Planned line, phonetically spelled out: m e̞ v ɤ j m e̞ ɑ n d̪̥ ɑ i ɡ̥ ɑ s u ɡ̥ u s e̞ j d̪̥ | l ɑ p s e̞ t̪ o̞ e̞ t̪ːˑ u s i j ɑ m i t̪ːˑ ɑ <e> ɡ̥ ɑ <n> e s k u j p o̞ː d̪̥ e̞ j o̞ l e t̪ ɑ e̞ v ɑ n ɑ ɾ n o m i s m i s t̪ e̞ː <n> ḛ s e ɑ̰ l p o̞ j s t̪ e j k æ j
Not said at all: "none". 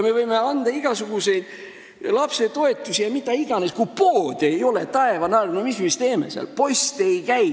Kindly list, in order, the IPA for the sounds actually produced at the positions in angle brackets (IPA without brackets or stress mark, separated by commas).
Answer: i, n, m